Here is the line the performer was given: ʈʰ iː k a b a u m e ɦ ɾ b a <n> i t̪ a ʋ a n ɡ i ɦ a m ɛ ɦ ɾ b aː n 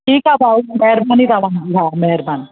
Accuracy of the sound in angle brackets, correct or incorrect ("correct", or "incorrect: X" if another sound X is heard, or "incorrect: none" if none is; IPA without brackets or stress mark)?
correct